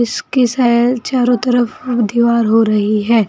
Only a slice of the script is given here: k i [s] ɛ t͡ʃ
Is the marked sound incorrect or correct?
correct